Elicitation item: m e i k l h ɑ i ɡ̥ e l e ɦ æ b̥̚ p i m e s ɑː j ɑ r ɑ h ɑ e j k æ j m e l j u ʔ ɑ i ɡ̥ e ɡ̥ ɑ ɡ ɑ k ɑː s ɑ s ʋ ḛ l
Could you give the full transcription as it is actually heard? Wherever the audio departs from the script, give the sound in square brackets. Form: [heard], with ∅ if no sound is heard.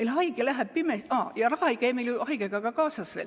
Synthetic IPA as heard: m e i [∅] l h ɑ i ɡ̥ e l [æ] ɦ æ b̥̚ p i m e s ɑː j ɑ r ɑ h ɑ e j k æ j m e l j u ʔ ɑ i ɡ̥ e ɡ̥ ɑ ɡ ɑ k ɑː s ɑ s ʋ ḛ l